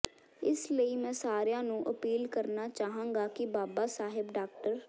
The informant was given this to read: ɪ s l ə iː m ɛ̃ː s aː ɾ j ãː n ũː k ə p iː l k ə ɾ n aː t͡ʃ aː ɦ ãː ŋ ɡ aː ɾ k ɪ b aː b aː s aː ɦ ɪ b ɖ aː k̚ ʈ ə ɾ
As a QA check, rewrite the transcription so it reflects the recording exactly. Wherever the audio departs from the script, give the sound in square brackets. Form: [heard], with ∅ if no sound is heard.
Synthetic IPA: ɪ s l ə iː m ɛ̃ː s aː ɾ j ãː n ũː [ʔ] ə p iː l k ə ɾ n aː t͡ʃ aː ɦ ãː ŋ ɡ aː [∅] k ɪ b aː b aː s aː ɦ ɪ b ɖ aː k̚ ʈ ə ɾ